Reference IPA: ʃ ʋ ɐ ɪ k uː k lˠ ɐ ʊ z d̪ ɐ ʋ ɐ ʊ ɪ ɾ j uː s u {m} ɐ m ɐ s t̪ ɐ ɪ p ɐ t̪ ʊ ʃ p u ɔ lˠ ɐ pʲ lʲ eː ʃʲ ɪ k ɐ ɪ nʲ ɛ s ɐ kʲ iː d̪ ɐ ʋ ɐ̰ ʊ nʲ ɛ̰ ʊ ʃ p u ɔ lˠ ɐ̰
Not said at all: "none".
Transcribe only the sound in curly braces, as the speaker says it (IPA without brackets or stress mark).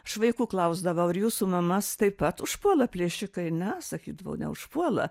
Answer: m